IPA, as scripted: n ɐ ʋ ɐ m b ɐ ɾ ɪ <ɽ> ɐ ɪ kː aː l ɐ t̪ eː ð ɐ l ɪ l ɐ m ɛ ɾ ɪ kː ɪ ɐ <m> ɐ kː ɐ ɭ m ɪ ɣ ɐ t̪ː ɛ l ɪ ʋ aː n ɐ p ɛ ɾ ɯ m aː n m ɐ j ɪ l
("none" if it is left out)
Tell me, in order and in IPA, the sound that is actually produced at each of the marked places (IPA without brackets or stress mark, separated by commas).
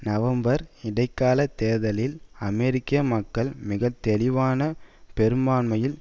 ɽ, m